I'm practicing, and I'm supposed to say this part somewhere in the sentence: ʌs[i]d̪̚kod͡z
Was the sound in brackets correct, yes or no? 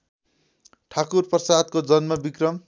no